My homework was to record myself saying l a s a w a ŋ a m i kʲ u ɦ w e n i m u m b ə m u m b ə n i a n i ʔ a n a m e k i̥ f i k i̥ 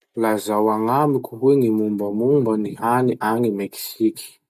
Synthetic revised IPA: l a z a w a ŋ a m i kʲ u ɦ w e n i m u m b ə m u m b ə n i a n i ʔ a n i m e k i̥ s i k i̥